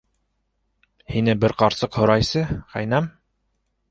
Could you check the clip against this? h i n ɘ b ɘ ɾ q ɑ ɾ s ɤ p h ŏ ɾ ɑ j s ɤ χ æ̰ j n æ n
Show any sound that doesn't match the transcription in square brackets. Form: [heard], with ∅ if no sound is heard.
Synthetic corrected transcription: h i n ɘ b ɘ ɾ q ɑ ɾ s ɤ [q] h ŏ ɾ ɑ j s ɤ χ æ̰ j n æ [m]